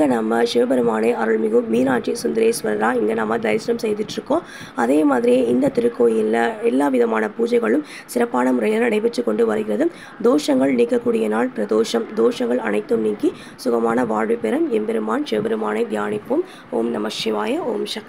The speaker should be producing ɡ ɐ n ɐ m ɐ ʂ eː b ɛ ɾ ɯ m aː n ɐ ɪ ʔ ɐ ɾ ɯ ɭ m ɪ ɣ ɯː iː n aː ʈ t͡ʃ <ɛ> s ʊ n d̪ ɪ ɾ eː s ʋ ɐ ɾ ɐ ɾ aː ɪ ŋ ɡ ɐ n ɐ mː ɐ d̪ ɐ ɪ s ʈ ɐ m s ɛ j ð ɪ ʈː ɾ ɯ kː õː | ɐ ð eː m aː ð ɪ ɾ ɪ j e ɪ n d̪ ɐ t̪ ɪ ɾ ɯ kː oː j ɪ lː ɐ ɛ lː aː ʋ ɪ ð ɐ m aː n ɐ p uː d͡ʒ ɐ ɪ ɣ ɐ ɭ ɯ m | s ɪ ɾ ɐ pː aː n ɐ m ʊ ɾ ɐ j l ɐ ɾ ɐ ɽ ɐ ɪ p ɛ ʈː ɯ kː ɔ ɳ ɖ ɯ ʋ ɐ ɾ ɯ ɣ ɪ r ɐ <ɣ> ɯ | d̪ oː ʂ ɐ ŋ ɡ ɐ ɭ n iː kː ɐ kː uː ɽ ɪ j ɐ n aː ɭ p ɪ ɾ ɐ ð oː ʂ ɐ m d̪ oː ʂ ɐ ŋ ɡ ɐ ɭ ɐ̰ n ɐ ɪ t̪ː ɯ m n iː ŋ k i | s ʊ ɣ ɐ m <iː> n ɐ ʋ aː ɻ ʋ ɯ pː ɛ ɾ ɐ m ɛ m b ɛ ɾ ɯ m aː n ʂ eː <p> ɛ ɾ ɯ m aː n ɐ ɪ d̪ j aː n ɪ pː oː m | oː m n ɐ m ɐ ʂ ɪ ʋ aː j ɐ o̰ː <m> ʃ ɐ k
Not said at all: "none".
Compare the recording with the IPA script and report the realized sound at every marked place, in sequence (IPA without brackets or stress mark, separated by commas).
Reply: i, ð, aː, b, m